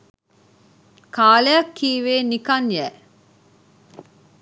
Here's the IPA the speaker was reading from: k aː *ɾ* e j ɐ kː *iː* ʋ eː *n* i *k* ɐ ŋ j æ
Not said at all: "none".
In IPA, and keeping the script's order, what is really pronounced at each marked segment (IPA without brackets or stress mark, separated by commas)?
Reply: l, iː, n, k